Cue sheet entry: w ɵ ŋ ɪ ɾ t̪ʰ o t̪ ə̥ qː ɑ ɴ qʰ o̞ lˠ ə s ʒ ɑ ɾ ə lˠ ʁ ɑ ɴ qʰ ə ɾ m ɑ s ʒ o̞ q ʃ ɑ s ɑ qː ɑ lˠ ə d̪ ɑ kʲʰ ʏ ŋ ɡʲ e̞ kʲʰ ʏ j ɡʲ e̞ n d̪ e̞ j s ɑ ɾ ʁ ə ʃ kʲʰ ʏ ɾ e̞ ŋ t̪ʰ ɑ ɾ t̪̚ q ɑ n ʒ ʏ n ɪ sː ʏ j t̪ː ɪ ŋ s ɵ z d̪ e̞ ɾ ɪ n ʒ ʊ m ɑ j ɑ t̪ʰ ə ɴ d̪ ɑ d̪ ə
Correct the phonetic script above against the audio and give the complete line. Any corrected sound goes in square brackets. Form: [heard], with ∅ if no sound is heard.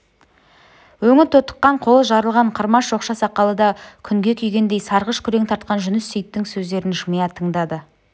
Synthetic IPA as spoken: w ɵ ŋ ɪ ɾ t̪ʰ o t̪ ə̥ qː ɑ ɴ qʰ o̞ lˠ ə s ʒ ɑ ɾ ə lˠ ʁ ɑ ɴ qʰ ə ɾ m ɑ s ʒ o̞ q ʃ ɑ s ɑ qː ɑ lˠ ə d̪ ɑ kʲʰ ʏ ŋ ɡʲ e̞ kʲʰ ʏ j ɡʲ e̞ n d̪ e̞ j s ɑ ɾ ʁ ə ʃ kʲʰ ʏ ɾ e̞ ŋ t̪ʰ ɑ ɾ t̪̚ q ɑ n ʒ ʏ n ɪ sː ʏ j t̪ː ɪ ŋ s ɵ z d̪ e̞ ɾ ɪ n ʒ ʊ m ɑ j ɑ t̪ʰ ə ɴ d̪ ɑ d̪ ə